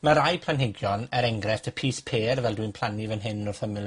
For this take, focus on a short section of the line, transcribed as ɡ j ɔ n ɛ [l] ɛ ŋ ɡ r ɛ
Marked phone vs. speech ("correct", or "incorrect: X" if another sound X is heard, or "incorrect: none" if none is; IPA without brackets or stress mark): incorrect: ɾ